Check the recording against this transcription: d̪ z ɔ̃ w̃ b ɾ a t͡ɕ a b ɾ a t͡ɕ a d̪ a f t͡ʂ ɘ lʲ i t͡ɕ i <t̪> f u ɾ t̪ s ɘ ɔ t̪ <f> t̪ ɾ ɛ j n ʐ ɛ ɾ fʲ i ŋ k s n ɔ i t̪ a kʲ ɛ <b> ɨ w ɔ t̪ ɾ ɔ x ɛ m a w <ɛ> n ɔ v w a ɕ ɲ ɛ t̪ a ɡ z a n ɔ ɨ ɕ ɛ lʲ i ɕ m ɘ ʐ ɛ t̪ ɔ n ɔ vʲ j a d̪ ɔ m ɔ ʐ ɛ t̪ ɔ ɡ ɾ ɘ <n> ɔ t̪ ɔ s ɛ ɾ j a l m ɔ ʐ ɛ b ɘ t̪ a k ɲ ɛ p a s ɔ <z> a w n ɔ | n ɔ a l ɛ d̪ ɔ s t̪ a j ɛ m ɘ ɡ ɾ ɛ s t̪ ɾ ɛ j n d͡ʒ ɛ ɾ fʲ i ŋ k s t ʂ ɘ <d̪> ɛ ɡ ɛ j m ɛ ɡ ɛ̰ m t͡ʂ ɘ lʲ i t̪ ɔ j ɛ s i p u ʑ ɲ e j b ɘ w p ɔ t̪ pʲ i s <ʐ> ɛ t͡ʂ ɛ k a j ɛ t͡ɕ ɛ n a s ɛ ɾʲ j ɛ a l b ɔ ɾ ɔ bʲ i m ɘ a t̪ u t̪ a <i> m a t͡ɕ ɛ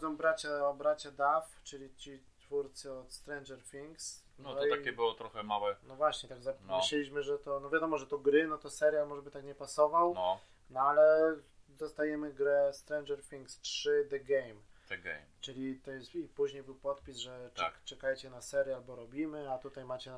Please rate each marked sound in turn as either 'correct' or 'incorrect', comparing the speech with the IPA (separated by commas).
correct, incorrect, correct, correct, correct, incorrect, correct, correct, incorrect